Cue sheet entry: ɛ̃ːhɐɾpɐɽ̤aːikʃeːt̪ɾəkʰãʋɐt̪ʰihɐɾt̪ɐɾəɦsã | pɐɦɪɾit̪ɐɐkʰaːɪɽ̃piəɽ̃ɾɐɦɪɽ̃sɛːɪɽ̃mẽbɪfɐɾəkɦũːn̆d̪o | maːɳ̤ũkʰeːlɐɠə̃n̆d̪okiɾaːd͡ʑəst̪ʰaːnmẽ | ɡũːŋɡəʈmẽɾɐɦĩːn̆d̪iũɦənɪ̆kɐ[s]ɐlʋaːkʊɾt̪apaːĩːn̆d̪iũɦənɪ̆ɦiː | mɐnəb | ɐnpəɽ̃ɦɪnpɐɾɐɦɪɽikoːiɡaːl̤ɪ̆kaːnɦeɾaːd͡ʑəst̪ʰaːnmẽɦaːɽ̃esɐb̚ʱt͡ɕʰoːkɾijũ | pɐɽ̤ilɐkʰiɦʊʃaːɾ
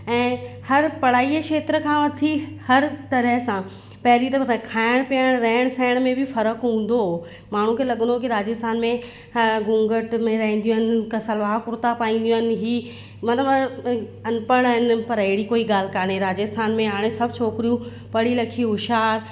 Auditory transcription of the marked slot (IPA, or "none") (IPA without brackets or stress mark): s